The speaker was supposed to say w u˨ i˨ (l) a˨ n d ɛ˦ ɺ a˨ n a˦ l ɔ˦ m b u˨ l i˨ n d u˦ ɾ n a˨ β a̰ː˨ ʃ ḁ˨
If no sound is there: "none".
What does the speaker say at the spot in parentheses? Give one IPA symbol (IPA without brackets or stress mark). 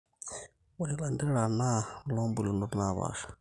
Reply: l